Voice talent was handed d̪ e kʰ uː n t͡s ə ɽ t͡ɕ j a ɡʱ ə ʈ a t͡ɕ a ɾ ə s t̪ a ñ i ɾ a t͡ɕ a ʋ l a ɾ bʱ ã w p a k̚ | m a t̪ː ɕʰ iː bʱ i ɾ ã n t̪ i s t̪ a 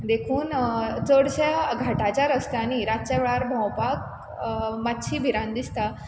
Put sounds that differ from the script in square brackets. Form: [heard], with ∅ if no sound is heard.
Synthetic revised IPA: d̪ e kʰ uː n t͡s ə ɽ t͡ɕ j a ɡʱ [a] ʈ a t͡ɕ a ɾ ə s t̪ a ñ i ɾ a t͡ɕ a ʋ [ɭ] a ɾ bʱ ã w p a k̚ | m a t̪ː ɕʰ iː bʱ i ɾ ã n [d̪] i s t̪ a